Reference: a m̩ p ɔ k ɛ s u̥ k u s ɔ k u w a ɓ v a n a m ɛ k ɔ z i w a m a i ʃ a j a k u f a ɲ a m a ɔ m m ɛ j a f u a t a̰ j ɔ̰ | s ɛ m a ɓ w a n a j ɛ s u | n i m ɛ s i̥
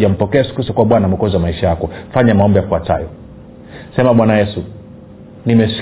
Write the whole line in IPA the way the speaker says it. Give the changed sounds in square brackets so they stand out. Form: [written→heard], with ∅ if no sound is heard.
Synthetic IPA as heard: a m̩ p ɔ k ɛ s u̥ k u s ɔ k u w a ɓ [v→w] a n a m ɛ k ɔ z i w a m a i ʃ a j a k [u→ɔ] f a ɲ a m a ɔ m [m→b] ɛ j a f u a t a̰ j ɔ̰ | s ɛ m a ɓ w a n a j ɛ s u | n i m ɛ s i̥